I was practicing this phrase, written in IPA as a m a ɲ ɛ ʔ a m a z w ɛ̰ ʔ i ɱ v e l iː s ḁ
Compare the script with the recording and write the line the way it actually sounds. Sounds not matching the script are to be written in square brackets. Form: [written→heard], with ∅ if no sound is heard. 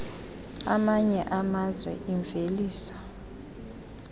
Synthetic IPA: a m a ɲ ɛ ʔ a m a z w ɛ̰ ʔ i ɱ v e l iː s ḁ